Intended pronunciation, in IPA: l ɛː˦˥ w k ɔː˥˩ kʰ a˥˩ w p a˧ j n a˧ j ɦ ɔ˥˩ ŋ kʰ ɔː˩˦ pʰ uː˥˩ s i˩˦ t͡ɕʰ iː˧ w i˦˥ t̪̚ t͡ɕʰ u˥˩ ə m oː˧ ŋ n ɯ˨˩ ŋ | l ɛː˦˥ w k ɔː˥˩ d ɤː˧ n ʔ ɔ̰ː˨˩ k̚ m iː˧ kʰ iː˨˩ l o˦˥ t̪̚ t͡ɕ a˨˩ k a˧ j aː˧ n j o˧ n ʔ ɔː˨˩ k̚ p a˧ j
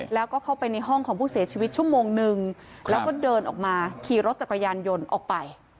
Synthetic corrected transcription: l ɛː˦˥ w k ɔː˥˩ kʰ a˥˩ w p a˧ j n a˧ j ɦ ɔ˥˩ ŋ kʰ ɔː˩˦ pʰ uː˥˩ s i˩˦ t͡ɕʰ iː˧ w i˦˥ t̪̚ t͡ɕʰ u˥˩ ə m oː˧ ŋ n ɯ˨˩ ŋ | l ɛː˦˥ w k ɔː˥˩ d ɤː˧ n ʔ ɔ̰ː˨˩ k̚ m aː˧ kʰ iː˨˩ ɾ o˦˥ t̪̚ t͡ɕ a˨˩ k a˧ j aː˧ n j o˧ n ʔ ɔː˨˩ k̚ p a˧ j

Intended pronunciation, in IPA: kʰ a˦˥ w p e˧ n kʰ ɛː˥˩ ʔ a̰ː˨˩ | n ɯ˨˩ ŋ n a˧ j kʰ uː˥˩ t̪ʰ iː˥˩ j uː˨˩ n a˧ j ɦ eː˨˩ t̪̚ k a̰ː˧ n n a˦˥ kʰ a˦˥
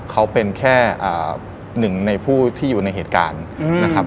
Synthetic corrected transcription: kʰ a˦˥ w p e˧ n kʰ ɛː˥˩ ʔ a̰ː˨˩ | n ɯ˨˩ ŋ n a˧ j pʰ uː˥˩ t̪ʰ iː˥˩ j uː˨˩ n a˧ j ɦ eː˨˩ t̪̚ k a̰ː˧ n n a˦˥ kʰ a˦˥

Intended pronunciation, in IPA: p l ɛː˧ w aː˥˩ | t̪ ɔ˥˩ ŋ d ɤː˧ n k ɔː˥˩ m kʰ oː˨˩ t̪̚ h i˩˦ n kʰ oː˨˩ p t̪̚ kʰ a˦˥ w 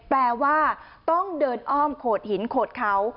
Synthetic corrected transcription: p l ɛː˧ w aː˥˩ | t̪ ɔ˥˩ ŋ d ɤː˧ n ʔ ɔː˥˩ m kʰ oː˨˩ t̪̚ h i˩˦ n kʰ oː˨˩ t̪̚ kʰ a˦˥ w

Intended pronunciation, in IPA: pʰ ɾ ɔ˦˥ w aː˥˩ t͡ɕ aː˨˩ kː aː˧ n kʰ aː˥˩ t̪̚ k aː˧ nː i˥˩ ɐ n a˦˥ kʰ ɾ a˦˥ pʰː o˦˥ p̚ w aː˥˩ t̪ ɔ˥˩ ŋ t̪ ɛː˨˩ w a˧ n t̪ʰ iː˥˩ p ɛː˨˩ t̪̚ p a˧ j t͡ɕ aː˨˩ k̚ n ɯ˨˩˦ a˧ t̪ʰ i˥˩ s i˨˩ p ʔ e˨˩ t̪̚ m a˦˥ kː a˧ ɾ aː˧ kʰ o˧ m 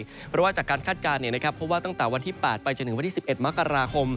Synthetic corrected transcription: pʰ ɾ ɔ˦˥ w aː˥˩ t͡ɕ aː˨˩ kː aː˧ n kʰ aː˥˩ t̪̚ k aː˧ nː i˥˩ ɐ n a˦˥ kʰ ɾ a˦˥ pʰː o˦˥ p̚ w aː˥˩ t̪ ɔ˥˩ ŋ t̪ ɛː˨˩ w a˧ n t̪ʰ iː˥˩ p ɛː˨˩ t̪̚ p a˧ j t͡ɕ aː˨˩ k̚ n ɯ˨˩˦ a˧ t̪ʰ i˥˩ s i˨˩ p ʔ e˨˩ t̪̚ m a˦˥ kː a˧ ɾ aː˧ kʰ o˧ m

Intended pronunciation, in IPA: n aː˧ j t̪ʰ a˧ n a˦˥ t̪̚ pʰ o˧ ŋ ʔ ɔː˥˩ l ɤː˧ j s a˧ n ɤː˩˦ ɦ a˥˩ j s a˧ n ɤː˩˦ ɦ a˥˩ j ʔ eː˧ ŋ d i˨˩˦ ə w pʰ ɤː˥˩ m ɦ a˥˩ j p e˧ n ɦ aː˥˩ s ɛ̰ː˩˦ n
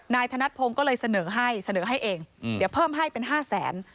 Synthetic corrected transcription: n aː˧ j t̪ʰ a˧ n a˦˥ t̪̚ pʰ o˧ ŋ k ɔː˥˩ l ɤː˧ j s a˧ n ɤː˩˦ ɦ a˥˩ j s a˧ n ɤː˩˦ ɦ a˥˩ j ʔ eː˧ ŋ d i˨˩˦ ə w pʰ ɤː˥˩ m ɦ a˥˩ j p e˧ n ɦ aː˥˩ s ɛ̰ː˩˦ n

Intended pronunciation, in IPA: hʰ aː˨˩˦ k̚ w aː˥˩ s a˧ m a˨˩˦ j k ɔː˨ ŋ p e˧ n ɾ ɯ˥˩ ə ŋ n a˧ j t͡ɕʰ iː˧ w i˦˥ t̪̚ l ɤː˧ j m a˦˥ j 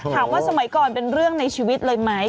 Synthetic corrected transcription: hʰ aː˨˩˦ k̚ w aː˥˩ s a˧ m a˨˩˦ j k ɔː˨ n p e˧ n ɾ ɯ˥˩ ə ŋ n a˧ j t͡ɕʰ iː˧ w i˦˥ t̪̚ l ɤː˧ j m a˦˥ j

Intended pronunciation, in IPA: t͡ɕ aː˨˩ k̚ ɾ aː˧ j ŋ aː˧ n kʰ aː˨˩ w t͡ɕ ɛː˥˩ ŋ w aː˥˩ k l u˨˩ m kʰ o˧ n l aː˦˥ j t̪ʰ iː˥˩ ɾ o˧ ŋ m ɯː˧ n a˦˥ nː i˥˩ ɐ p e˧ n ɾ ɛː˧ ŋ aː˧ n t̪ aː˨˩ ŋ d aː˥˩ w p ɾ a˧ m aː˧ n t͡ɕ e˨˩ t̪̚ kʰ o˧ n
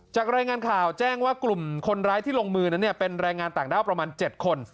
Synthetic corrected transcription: t͡ɕ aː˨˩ k̚ ɾ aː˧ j ŋ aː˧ n kʰ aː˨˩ w t͡ɕ ɛː˥˩ ŋ w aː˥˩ k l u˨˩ m kʰ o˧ n ɾ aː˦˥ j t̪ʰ iː˥˩ l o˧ ŋ m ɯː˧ n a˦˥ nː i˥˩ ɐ p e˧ n ɾ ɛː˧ ŋ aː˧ n t̪ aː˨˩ ŋ d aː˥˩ w p ɾ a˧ m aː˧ n t͡ɕ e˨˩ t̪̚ kʰ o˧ n

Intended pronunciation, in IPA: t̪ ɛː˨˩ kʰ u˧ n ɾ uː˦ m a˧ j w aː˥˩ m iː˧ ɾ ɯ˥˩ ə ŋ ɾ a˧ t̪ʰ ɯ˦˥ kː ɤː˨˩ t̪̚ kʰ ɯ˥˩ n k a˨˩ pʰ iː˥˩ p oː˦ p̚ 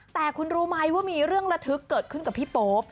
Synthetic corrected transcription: t̪ ɛː˨˩ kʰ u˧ n ɾ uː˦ m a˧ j w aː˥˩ m iː˧ ɾ ɯ˥˩ ə ŋ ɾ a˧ t̪ʰ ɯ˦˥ kː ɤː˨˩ t̪̚ kʰ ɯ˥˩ n k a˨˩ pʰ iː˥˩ p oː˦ p̚

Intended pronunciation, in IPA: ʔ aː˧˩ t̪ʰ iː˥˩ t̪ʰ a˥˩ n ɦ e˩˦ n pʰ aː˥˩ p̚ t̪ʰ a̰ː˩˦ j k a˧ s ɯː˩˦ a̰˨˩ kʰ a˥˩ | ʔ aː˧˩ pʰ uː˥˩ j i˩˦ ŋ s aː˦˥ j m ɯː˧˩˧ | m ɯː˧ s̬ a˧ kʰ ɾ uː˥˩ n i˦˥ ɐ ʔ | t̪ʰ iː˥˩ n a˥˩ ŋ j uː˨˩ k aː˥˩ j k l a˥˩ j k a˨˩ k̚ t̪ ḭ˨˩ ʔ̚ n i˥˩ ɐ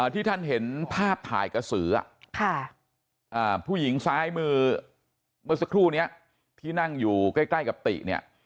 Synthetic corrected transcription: ʔ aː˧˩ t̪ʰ iː˥˩ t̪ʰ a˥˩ n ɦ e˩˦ n pʰ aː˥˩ p̚ t̪ʰ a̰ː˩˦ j k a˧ s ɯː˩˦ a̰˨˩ kʰ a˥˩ | ʔ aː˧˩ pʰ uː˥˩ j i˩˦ ŋ s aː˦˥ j m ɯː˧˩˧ | m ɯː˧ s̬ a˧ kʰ ɾ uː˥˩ n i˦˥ ɐ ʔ | t̪ʰ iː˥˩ n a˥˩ ŋ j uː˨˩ k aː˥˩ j k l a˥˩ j k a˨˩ p̚ t̪ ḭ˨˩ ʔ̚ n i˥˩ ɐ

